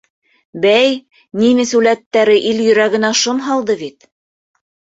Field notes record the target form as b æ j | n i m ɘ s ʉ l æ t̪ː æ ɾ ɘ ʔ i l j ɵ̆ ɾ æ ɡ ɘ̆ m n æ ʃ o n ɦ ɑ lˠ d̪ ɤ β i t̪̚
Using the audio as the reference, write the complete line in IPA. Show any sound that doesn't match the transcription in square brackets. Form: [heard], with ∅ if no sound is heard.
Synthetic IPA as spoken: b æ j | n i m ɘ s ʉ l æ t̪ː æ ɾ ɘ ʔ i l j ɵ̆ ɾ æ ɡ ɘ̆ [∅] n æ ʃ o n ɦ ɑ lˠ d̪ ɤ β i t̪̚